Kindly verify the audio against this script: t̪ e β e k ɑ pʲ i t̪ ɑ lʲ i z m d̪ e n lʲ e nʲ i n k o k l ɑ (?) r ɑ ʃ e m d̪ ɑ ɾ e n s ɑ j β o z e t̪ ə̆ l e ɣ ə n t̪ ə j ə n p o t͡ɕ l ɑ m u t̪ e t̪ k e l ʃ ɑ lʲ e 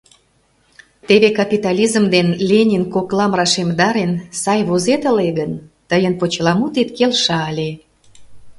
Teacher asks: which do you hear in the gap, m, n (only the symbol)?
m